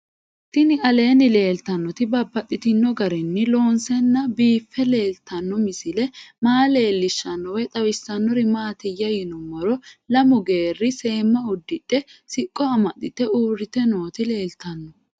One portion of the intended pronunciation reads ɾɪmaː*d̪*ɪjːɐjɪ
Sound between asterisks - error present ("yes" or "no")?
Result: yes